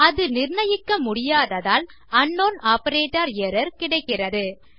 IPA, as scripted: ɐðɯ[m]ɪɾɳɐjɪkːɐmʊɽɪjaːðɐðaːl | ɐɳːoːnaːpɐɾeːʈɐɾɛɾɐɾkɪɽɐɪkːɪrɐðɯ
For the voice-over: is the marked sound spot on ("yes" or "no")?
no